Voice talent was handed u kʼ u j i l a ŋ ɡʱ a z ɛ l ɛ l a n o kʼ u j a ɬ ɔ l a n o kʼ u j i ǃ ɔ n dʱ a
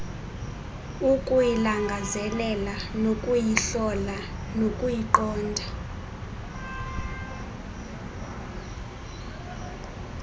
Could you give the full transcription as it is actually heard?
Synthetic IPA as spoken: u kʼ u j i l a ŋ ɡʱ a z ɛ l ɛ l a n o kʼ u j i ɬ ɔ l a n o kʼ u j i ǃ ɔː n dʱ a